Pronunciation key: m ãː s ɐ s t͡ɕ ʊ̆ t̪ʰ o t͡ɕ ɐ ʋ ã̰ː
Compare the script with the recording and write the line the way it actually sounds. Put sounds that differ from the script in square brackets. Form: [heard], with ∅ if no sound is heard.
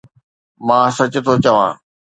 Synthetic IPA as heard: m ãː s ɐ [∅] t͡ɕ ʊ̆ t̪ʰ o t͡ɕ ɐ ʋ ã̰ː

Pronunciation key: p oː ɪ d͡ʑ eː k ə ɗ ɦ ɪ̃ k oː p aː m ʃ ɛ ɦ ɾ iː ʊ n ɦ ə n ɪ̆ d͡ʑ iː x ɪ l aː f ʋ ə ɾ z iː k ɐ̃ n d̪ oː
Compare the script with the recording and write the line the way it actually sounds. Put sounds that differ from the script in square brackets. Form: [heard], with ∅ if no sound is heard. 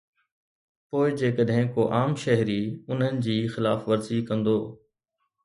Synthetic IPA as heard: p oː ɪ d͡ʑ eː k ə ɗ ɦ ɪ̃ k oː [ʔ] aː m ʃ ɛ ɦ ɾ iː ʊ n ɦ ə n ɪ̆ d͡ʑ iː x ɪ l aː f ʋ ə ɾ z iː k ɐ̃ n d̪ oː

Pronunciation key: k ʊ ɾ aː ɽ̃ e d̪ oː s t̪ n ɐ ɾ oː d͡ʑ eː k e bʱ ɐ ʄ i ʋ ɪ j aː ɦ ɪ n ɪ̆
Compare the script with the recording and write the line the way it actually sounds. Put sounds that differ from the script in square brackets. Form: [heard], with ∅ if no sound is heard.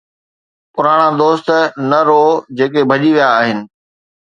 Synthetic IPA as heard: [p] ʊ ɾ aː ɽ̃ [a] d̪ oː s t̪ n ɐ ɾ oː d͡ʑ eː k e bʱ ɐ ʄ i ʋ [i] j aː ɦ ɪ n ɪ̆

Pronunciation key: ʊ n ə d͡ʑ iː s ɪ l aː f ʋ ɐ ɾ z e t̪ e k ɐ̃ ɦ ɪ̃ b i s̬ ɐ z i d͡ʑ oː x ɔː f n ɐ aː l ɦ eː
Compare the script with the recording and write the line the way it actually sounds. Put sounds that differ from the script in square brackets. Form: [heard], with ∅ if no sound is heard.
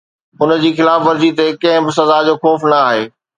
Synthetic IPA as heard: ʊ n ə d͡ʑ iː [x] ɪ l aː f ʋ ɐ ɾ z [i] t̪ e k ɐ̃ ɦ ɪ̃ b [ɪ] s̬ ɐ z [a] d͡ʑ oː x ɔː f n ɐ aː [∅] ɦ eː

